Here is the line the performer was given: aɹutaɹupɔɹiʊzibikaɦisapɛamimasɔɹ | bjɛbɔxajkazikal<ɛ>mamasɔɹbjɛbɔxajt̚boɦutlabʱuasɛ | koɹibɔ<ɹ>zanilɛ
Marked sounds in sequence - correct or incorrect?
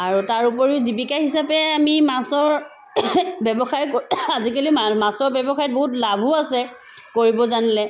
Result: incorrect, incorrect

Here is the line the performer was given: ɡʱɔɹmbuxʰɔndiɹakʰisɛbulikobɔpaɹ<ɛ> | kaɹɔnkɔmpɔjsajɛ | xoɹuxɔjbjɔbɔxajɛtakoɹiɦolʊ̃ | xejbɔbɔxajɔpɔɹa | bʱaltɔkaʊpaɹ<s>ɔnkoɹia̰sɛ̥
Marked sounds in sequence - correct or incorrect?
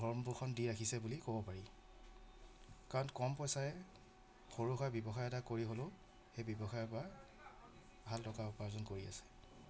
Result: incorrect, incorrect

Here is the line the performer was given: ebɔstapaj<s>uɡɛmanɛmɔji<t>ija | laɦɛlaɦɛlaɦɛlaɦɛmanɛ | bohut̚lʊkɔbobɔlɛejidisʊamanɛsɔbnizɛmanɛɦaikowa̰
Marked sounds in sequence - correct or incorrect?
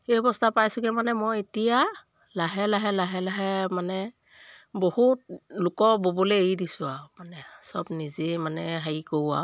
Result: correct, correct

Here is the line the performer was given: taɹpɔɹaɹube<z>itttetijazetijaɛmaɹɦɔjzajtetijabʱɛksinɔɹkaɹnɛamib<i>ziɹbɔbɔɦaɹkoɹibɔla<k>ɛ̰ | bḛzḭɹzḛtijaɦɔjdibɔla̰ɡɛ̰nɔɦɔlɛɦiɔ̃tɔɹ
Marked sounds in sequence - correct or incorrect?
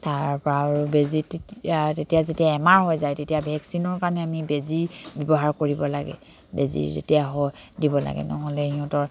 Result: correct, incorrect, incorrect

